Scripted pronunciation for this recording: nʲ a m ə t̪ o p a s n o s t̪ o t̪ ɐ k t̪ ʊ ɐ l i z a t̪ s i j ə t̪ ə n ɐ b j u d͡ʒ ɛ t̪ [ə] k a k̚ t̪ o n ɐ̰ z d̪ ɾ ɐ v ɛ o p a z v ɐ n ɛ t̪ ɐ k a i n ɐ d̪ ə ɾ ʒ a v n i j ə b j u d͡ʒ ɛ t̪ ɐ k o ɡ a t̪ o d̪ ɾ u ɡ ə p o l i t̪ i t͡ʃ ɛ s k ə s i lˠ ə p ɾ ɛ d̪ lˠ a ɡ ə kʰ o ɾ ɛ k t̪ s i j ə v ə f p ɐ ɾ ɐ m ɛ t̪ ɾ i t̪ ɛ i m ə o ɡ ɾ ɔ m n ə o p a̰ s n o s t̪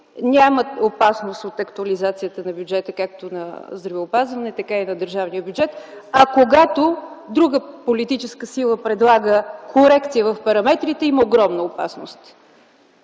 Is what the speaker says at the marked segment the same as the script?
yes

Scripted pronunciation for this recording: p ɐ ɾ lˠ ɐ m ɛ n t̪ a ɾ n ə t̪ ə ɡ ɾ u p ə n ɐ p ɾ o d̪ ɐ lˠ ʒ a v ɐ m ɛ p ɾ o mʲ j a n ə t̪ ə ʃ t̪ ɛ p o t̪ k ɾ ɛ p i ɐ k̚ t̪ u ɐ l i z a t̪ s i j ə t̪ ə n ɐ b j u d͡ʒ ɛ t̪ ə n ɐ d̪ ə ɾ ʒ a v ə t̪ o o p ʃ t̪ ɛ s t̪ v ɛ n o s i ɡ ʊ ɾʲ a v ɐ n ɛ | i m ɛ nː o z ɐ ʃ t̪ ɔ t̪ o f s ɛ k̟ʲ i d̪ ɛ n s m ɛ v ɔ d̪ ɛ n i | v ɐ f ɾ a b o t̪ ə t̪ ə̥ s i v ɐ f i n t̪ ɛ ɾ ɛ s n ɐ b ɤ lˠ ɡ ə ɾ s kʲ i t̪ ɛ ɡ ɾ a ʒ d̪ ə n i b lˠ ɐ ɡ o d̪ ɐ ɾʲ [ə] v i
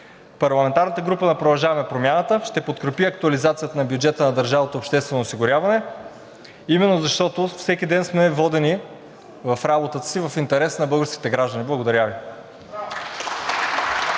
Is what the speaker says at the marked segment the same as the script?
no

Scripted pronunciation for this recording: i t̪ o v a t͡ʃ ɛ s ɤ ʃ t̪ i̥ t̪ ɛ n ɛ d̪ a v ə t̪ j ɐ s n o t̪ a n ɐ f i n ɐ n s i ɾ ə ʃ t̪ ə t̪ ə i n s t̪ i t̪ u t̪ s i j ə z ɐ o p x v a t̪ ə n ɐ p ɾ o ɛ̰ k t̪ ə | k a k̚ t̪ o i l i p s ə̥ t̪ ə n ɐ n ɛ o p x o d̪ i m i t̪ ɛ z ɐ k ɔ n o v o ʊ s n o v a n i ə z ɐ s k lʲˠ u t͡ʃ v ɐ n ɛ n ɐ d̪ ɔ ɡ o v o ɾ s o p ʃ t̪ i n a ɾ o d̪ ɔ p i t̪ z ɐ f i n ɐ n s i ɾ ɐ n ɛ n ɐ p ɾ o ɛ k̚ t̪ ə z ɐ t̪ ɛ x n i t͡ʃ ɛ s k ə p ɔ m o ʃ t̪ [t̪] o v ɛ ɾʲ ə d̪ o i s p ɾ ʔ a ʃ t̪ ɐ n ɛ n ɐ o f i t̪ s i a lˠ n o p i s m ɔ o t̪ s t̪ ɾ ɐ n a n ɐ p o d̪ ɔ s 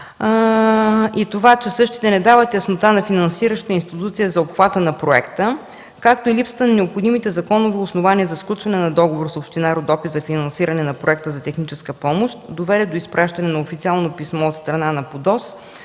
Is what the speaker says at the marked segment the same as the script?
no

